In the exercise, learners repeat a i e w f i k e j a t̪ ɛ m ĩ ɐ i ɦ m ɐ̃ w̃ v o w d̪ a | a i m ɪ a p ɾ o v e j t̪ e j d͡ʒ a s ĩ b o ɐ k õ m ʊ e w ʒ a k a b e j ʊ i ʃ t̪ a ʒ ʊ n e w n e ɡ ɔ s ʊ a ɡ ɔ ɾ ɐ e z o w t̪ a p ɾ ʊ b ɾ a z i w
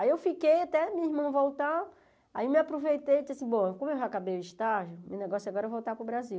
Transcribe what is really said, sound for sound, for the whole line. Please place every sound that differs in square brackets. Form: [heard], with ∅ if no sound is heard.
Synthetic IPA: a i e w f i k e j a t̪ ɛ m ĩ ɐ i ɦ m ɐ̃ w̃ v o w [t̪] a | a i m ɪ a p ɾ o v e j t̪ e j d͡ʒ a s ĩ b o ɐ k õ m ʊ e w ʒ a k a b e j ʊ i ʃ t̪ a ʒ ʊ [m] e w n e ɡ ɔ s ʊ a ɡ ɔ ɾ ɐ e [v] o w t̪ a p ɾ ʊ b ɾ a z i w